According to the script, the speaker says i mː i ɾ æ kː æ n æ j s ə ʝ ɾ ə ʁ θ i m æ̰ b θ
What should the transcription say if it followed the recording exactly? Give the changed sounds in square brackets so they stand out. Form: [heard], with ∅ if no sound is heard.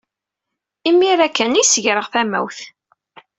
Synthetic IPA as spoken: i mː i ɾ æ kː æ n [i] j s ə ʝ ɾ ə ʁ θ [æ] m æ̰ [w] θ